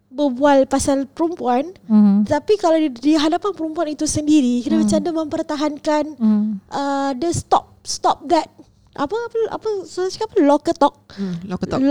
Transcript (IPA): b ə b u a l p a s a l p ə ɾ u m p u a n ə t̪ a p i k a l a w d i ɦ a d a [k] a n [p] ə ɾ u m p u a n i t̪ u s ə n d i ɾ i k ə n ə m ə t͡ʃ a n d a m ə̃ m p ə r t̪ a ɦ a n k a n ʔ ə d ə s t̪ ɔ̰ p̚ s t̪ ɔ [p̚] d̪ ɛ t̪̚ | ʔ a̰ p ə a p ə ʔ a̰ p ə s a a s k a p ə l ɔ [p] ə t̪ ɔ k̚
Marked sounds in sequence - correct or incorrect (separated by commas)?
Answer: incorrect, correct, correct, incorrect